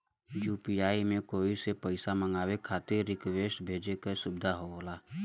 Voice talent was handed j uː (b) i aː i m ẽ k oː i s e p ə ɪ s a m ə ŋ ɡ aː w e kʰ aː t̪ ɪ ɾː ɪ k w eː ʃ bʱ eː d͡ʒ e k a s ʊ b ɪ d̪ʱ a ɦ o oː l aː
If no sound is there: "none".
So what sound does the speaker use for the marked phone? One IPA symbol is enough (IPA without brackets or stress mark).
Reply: p